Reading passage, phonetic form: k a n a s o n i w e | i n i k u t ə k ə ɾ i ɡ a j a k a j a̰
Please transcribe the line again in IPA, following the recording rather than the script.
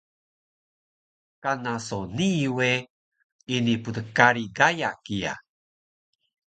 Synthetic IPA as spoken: k a n a s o n i w e | i n i p u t ə k a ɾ i ɡ a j a k i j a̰